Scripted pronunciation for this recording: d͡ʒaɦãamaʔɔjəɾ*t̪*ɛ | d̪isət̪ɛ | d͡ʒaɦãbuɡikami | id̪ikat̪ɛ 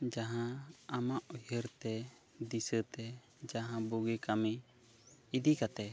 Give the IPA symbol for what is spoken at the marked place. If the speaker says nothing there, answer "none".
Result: t̪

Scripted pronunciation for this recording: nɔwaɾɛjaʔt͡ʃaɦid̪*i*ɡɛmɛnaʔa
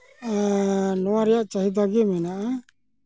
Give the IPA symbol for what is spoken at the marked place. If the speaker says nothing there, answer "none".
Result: a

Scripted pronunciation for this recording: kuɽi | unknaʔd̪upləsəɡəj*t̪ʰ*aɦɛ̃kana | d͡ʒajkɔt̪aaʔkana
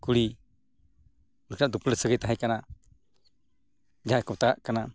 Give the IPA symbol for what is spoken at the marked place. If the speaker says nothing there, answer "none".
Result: t̪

